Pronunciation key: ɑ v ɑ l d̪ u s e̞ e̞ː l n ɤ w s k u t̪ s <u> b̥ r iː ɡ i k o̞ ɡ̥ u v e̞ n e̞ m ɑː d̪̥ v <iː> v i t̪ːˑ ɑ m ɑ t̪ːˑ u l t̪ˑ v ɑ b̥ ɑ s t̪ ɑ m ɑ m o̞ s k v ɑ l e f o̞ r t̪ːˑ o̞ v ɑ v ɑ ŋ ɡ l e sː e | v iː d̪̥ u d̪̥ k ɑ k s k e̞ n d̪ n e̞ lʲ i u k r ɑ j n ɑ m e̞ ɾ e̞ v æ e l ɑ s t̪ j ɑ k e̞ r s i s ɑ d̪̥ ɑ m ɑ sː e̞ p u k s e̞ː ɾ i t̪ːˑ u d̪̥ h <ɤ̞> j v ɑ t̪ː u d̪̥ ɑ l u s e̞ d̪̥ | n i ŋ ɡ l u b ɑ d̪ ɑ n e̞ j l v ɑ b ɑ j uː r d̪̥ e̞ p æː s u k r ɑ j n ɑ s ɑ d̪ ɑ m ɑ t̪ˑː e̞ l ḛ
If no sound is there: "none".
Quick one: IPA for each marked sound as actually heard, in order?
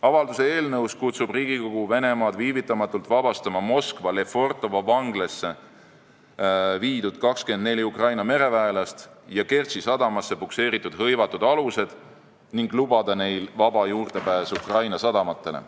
u, iː, ɤ̞

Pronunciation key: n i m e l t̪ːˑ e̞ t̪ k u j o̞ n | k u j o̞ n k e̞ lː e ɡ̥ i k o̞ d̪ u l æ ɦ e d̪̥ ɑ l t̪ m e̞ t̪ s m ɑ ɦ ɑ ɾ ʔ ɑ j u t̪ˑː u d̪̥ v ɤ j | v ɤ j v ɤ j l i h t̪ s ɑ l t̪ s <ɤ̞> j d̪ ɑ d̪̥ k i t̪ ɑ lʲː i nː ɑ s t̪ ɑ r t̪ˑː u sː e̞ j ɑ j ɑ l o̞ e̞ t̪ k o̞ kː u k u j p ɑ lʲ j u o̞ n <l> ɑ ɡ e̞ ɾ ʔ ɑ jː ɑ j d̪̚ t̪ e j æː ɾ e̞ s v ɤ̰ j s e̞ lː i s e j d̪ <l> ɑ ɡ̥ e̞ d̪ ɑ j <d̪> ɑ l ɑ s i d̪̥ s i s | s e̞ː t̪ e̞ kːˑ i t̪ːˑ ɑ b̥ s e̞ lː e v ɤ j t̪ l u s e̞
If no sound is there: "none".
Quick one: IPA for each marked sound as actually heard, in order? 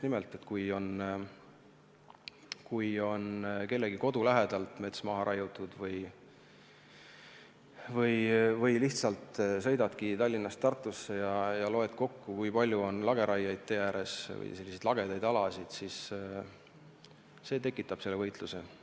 ɤ̞, l, l, d̪

